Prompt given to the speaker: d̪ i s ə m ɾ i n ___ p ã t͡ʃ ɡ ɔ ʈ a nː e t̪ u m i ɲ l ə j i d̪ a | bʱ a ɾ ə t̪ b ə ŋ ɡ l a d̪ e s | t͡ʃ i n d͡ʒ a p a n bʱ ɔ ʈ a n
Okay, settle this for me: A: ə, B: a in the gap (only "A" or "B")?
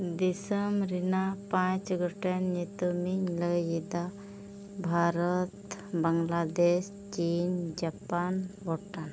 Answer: B